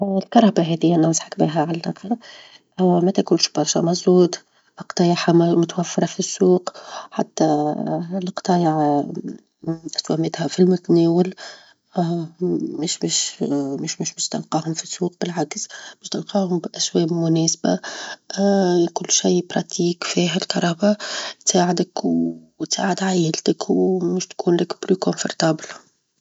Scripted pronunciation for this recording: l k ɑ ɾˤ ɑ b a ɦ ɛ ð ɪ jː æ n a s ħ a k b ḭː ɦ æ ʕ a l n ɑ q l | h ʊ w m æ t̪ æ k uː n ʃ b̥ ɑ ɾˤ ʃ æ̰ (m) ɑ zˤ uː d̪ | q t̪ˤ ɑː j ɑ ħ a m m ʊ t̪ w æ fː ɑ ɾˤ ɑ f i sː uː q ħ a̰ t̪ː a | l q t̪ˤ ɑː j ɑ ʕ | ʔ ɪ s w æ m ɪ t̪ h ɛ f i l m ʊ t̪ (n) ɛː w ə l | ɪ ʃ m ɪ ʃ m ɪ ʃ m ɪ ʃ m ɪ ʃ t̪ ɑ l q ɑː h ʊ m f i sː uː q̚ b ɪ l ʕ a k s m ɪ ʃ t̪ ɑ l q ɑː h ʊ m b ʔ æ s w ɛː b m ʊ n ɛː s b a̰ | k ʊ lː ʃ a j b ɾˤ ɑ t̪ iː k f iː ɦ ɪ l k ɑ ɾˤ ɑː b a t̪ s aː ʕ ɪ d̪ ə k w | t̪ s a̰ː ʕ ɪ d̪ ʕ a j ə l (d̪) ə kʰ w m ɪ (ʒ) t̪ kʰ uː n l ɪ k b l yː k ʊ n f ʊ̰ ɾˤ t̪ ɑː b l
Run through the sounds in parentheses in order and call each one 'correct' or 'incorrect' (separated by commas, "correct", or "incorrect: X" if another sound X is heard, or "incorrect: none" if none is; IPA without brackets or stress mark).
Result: correct, correct, incorrect: t̪, incorrect: ʃ